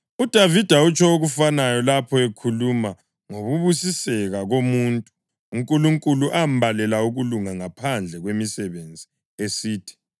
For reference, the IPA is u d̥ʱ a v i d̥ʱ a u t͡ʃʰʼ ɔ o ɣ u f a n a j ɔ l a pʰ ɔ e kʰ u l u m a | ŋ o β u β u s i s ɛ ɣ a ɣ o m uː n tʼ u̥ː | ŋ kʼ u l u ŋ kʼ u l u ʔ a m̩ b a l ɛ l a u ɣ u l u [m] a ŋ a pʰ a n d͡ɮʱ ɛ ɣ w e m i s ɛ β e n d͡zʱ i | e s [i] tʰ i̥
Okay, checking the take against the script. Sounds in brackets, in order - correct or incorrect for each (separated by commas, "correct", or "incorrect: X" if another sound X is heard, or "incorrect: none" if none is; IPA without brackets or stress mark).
incorrect: ŋ, incorrect: iː